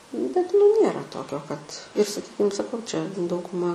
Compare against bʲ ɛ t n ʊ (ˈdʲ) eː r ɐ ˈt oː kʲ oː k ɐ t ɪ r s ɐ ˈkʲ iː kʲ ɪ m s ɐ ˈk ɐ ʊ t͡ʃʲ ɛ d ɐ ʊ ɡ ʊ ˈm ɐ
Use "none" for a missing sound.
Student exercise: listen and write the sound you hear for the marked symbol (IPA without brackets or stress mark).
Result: nʲ